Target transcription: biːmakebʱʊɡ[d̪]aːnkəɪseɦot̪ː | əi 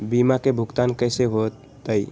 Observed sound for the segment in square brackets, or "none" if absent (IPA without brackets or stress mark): t̪